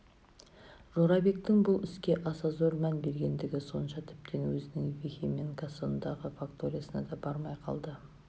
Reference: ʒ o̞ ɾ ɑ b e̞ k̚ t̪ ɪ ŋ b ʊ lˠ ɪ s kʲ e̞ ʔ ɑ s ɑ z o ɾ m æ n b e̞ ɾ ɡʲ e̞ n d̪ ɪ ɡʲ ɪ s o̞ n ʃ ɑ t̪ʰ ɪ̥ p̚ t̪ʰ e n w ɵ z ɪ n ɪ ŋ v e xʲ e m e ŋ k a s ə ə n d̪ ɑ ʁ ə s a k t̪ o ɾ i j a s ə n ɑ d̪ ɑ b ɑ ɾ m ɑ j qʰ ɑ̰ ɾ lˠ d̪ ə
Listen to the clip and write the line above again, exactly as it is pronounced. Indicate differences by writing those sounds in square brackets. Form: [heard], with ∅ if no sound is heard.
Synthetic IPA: ʒ o̞ ɾ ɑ b e̞ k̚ t̪ ɪ ŋ b ʊ lˠ ɪ s kʲ e̞ ʔ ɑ s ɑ z o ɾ m æ n b e̞ ɾ ɡʲ e̞ n d̪ ɪ ɡʲ ɪ s o̞ n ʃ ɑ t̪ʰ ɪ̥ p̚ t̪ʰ e n w ɵ z ɪ n ɪ ŋ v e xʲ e m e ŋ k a s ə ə n d̪ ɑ ʁ ə [f] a k t̪ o ɾ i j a s ə n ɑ d̪ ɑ b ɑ ɾ m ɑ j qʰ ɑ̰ [∅] lˠ d̪ ə